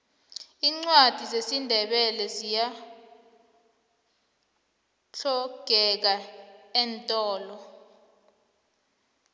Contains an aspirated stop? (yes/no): no